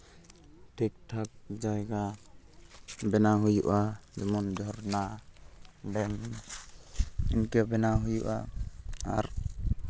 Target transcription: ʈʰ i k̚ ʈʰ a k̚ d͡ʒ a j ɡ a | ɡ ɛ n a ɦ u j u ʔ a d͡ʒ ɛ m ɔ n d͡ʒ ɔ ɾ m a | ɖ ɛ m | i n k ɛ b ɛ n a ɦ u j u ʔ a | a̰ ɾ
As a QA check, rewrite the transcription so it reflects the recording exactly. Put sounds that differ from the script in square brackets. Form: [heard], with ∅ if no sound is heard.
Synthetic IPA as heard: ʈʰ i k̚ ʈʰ a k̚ d͡ʒ a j ɡ a | [b] ɛ n a ɦ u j u ʔ a d͡ʒ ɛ m ɔ n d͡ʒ ɔ ɾ [n] a | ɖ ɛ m | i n k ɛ b ɛ n a ɦ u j u ʔ a | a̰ ɾ